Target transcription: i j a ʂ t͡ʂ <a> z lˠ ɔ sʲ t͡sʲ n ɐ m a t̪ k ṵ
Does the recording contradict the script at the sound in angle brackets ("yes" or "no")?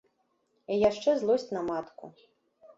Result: yes